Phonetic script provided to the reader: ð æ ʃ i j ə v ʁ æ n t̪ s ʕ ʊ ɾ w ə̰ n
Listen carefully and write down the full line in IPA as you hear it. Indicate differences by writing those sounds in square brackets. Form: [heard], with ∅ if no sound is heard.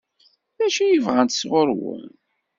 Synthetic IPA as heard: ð æ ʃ i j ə v ʁ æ n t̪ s [ʁ] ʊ ɾ w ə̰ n